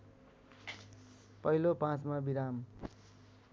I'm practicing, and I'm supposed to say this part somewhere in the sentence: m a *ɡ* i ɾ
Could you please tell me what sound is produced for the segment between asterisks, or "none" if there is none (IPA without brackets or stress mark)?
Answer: b